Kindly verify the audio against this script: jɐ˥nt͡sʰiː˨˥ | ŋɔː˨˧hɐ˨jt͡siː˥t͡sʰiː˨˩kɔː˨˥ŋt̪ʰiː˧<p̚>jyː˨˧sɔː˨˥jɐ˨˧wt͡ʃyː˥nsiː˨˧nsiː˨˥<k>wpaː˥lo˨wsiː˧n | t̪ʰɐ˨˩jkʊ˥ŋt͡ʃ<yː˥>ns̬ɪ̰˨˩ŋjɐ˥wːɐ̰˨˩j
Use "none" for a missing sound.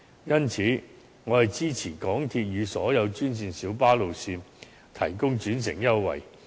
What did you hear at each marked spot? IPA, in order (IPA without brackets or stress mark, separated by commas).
t̚, none, yː˨˥